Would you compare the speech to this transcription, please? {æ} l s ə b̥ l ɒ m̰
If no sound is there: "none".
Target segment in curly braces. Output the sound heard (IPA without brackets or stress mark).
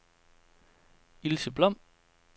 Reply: i